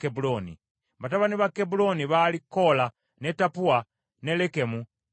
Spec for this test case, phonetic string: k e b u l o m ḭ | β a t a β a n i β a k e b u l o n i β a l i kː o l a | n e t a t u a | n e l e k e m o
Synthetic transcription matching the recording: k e b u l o n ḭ | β a t a β a n i β a k e b u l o n i β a l i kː o l a | n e t a p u a | n e l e k e m u

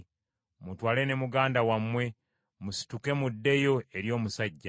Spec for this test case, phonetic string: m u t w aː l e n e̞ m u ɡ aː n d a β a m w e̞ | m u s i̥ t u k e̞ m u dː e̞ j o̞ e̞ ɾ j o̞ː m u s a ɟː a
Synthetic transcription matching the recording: m u t w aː l e n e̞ m u ɡ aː n d a w a m w e̞ | m u s i̥ t u k e̞ m u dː e̞ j o̞ e̞ ɾ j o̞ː m u s a ɟː a

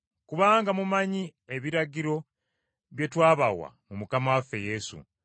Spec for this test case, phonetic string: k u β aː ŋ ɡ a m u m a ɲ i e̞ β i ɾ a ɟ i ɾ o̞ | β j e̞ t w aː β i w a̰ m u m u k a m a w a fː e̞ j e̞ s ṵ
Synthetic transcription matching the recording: k u β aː ŋ ɡ a m u m a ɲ i e̞ β i ɾ a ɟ i ɾ o̞ | β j e̞ t w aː β a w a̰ m u m u k a m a w a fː e̞ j e̞ s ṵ

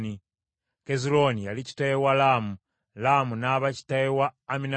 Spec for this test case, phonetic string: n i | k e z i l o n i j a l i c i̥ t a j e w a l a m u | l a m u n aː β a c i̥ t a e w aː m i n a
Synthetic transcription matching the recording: n i | k e z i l o n i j a l i c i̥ t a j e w a l a m u | l a m u n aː β a c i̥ t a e w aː m i n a

